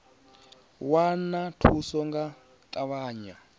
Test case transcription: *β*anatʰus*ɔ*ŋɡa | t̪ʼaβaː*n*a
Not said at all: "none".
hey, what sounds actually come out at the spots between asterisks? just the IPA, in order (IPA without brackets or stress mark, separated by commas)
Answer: w, ɔ, ɲ